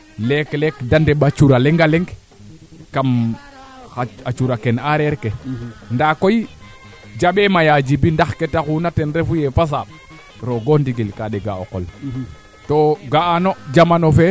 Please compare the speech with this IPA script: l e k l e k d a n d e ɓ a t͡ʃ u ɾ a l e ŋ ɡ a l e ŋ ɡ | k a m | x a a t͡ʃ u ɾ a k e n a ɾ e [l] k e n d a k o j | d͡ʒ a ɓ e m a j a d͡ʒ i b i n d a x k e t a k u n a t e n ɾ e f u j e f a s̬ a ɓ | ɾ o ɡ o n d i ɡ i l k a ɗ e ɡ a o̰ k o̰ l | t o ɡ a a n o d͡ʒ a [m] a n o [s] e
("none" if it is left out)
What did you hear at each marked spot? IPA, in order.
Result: ɾ, m, f

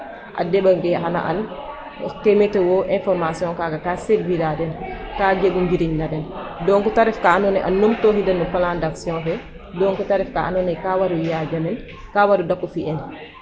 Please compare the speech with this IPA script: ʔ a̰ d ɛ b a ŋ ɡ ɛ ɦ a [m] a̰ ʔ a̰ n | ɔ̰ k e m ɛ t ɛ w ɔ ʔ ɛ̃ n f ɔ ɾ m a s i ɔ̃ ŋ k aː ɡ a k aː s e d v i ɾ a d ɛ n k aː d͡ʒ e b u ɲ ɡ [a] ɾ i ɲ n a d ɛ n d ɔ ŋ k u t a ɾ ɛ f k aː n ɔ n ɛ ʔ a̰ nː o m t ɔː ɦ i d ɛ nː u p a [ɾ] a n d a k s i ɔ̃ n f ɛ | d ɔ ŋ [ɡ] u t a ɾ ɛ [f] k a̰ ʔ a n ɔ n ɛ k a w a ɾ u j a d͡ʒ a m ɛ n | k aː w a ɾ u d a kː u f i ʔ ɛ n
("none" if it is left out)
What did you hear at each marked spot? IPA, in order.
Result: n, i, l, k, f

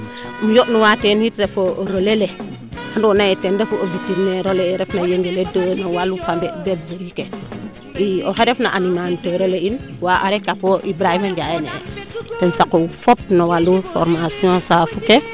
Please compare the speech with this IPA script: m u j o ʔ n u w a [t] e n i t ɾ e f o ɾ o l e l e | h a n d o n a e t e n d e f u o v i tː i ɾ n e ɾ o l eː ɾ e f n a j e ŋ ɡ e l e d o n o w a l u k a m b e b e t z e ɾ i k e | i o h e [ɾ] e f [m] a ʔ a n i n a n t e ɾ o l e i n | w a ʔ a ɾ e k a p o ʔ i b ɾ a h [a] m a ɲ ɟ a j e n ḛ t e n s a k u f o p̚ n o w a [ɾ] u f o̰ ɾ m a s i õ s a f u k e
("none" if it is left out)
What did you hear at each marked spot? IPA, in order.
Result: t, ɾ, n, i, l

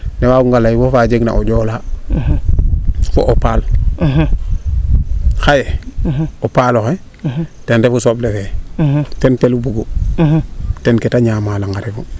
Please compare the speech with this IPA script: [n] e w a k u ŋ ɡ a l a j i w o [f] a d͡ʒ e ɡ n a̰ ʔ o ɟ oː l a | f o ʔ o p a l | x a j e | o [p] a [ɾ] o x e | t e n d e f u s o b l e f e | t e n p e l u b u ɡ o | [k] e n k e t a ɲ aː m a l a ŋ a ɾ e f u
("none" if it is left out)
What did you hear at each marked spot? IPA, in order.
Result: n, f, p, l, t

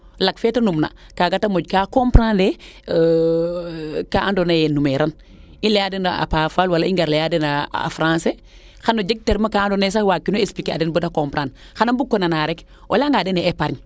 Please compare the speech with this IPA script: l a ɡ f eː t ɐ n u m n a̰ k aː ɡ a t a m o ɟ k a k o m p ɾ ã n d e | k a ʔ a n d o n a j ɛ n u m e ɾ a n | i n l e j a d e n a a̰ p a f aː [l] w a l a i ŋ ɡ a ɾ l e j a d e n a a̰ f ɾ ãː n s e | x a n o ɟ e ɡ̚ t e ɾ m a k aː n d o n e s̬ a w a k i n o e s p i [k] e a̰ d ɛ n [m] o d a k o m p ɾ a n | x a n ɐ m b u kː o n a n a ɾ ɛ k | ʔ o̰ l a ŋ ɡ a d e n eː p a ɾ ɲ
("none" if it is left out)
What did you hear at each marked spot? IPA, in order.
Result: l, k, b

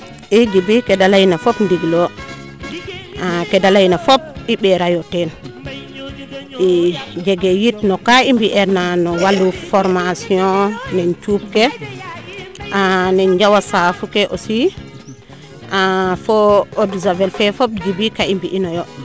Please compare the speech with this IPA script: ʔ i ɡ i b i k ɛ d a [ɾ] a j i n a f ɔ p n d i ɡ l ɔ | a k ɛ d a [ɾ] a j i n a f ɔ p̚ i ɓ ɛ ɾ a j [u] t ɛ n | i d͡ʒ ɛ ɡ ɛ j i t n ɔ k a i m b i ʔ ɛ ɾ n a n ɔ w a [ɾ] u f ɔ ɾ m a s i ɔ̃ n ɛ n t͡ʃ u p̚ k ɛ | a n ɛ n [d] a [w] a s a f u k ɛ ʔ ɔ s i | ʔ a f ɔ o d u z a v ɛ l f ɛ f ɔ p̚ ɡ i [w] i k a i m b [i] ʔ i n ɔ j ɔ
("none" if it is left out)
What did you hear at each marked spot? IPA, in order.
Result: l, l, ɔ, l, d͡ʒ, w, b, i

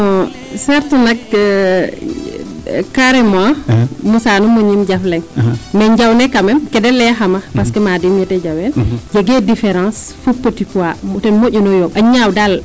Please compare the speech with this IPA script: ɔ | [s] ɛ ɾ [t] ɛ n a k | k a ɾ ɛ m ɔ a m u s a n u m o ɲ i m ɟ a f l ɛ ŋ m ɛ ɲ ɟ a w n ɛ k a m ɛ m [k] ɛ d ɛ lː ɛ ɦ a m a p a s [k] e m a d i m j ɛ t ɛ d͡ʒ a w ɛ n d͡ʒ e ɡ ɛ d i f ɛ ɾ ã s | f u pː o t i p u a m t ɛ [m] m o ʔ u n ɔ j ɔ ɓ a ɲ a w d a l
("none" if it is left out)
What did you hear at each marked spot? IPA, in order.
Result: s, t, k, k, n

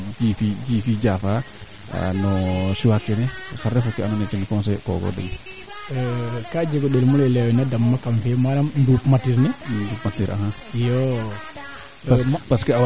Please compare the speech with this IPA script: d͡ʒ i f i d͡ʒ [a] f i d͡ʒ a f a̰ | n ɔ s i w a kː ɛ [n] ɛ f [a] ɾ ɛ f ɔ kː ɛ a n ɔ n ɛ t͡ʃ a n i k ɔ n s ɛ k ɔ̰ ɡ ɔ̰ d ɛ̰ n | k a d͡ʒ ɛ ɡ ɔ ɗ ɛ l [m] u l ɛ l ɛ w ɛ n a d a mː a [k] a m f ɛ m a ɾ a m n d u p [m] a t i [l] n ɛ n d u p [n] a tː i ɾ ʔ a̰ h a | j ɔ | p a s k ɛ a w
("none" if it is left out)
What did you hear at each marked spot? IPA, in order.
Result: i, n, a, m, k, m, ɾ, m

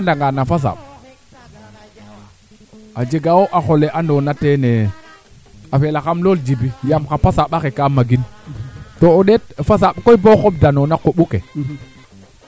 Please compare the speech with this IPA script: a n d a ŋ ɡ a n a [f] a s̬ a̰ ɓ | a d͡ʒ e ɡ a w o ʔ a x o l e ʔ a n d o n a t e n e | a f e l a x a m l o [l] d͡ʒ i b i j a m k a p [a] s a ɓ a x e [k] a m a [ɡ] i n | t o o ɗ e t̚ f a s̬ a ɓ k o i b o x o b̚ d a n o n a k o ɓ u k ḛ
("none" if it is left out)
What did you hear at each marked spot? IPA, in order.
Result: f, l, a, k, ɡ

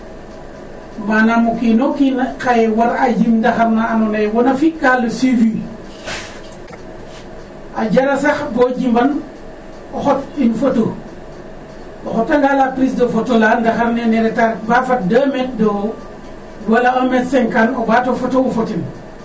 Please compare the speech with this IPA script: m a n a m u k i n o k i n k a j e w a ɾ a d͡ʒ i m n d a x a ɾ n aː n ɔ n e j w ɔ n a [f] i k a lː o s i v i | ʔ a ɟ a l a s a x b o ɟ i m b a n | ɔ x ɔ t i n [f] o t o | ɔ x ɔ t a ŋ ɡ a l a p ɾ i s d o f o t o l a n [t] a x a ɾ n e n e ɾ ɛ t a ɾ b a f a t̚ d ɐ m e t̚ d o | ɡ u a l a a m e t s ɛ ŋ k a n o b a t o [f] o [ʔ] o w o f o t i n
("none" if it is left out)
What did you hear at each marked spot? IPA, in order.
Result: f, f, d, f, t

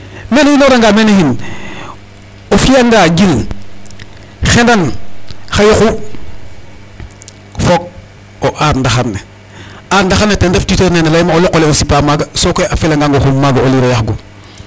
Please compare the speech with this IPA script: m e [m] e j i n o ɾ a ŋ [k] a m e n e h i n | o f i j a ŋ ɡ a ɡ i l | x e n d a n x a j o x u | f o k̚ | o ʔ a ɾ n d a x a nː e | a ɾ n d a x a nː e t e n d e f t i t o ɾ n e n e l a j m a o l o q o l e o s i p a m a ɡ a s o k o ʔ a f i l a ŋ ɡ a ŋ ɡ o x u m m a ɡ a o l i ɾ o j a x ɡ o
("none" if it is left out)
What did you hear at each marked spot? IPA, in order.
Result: n, ɡ

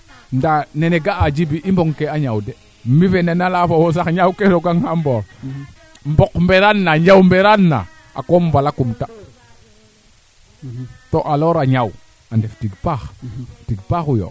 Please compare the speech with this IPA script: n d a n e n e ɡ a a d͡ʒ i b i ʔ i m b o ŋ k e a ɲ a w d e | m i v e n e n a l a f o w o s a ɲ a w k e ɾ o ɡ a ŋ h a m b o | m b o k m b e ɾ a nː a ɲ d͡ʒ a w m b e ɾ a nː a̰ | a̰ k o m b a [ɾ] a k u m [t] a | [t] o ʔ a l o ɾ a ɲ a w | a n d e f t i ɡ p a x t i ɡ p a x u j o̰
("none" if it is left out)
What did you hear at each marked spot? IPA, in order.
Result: l, t, t

